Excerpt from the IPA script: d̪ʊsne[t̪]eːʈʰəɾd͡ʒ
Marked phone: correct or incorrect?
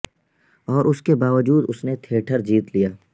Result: incorrect: t̪ʰ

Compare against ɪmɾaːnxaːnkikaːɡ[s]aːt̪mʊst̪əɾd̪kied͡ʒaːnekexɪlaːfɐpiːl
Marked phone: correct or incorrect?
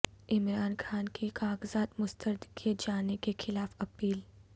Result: incorrect: z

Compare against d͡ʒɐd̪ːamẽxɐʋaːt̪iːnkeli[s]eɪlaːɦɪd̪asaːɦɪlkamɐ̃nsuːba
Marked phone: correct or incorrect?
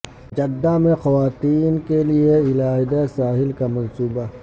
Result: incorrect: none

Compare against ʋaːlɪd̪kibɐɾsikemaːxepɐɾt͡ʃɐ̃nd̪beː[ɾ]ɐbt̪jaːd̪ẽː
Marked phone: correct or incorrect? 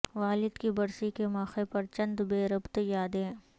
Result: correct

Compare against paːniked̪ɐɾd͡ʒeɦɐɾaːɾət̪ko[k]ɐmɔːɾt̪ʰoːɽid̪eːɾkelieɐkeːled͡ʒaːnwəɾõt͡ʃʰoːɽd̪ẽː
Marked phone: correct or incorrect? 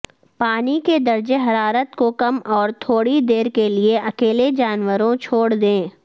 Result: correct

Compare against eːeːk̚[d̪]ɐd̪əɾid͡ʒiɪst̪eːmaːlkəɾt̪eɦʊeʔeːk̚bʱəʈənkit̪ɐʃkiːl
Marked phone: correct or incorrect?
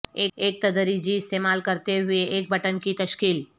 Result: incorrect: t̪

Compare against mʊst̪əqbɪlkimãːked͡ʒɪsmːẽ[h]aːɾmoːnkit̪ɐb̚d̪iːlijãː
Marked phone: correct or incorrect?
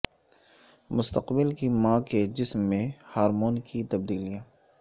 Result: correct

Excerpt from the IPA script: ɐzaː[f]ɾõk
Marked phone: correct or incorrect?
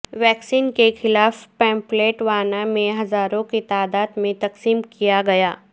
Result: incorrect: none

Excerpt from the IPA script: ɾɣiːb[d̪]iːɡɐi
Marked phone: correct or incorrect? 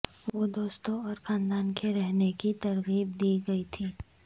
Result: correct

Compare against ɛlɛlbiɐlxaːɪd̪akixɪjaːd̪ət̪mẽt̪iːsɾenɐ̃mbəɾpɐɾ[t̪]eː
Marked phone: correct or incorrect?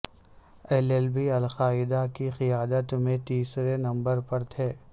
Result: incorrect: t̪ʰ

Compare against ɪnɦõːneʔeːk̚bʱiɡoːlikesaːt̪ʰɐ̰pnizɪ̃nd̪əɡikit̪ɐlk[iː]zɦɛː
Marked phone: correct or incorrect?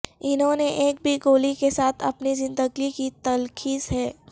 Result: correct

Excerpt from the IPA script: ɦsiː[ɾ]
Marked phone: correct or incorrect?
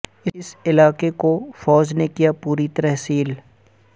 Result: incorrect: l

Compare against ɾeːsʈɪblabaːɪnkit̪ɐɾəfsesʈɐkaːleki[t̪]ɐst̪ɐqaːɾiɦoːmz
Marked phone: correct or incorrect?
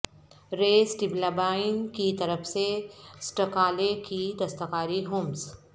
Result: incorrect: d̪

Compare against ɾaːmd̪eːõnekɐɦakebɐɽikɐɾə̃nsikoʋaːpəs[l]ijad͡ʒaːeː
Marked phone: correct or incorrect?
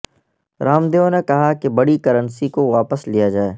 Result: correct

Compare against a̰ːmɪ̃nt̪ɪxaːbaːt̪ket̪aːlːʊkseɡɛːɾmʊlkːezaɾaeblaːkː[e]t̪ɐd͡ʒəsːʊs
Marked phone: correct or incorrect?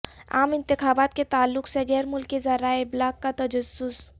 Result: incorrect: a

